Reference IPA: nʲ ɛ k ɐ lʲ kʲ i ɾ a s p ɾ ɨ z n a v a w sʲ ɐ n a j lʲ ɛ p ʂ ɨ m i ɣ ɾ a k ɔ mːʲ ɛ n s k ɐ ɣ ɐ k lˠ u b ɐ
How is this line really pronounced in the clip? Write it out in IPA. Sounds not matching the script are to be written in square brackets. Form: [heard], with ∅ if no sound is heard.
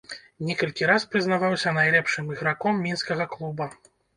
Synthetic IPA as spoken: nʲ ɛ k ɐ lʲ kʲ i ɾ a s p ɾ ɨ z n a v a w sʲ ɐ n a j lʲ ɛ p ʂ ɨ m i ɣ ɾ a k ɔ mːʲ [i] n s k ɐ ɣ ɐ k lˠ u b ɐ